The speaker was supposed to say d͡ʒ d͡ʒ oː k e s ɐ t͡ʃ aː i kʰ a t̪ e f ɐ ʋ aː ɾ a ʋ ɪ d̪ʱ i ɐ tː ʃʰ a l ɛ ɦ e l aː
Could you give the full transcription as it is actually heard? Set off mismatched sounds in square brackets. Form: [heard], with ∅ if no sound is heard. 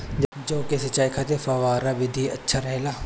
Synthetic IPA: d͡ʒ d͡ʒ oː k e s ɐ t͡ʃ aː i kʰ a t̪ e f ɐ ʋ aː ɾ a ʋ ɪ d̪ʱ i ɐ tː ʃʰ a [ɾ] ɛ ɦ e l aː